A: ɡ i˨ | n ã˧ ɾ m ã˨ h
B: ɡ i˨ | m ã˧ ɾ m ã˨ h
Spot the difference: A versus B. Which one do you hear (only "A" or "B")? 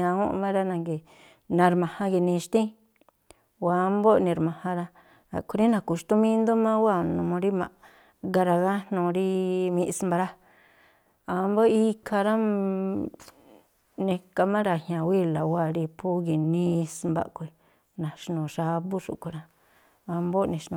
A